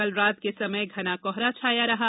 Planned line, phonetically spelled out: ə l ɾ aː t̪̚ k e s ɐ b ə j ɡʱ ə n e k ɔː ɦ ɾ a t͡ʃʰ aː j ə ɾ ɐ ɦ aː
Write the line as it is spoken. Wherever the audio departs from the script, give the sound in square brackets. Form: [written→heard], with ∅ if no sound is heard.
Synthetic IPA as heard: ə l ɾ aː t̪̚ k e s ɐ [b→m] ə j ɡʱ [ə→ɐ] n [e→a] k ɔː ɦ ɾ a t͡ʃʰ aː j [ə→a] ɾ ɐ ɦ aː